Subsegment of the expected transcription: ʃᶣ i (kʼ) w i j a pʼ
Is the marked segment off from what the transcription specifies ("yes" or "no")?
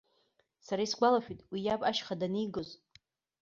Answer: yes